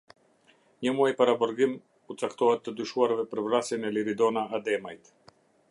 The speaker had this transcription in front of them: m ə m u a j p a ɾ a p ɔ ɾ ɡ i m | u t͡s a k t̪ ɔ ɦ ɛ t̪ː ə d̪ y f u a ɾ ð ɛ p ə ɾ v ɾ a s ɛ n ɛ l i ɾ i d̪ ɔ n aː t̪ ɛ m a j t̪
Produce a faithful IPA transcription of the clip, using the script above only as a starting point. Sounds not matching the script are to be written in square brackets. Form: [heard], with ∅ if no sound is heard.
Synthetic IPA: [ɲ] ə m u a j p a ɾ a [b] ɔ ɾ ɡ i m | u t͡s a k t̪ ɔ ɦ ɛ t̪ː ə d̪ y [ʃ] u a ɾ [v] ɛ p ə ɾ v ɾ a s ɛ n ɛ l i ɾ i d̪ ɔ n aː [d̪] ɛ m a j t̪